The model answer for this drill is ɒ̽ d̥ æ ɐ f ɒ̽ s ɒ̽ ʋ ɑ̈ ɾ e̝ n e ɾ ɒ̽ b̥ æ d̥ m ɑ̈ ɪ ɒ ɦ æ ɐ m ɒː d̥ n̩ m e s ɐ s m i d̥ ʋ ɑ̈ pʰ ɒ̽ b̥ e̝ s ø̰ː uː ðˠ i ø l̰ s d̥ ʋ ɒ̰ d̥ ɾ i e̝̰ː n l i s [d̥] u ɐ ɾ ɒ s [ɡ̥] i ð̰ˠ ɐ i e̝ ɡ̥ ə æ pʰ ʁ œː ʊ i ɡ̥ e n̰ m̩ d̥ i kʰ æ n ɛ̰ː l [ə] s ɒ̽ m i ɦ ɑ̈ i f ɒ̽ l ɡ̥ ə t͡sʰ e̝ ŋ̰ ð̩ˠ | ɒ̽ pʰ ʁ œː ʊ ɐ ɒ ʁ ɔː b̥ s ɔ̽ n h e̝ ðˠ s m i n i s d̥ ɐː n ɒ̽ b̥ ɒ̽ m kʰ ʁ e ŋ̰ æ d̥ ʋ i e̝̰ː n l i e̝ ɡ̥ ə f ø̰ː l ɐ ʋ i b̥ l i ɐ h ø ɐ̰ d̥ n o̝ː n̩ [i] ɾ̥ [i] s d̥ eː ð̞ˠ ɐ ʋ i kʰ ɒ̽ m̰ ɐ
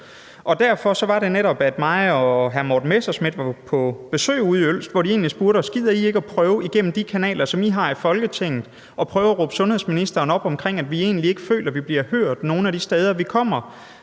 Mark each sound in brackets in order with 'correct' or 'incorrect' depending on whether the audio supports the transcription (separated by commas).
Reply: incorrect, correct, incorrect, incorrect, correct